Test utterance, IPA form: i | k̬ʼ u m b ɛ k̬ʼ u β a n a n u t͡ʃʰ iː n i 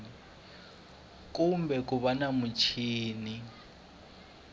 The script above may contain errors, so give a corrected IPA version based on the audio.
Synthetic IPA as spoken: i | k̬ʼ u m b ɛ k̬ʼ u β a n a m u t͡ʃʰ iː n i